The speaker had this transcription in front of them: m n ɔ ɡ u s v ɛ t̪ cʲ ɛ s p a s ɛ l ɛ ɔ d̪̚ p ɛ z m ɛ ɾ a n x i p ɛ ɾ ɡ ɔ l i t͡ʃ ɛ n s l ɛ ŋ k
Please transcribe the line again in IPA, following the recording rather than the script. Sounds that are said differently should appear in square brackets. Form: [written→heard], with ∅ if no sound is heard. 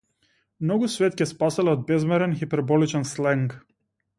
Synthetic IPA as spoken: m n ɔ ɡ u s v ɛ t̪ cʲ ɛ s p a s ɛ l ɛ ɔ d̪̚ [p→b] ɛ z m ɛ ɾ [a→ɛ] n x i p ɛ ɾ [ɡ→b] ɔ l i t͡ʃ ɛ n s l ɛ ŋ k